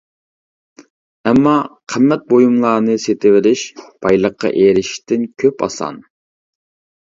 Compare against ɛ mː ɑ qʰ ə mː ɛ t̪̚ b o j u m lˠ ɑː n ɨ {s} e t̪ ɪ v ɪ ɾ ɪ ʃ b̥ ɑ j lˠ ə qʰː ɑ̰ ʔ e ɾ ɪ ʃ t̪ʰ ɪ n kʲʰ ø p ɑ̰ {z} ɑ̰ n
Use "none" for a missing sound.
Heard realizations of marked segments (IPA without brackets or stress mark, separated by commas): s, s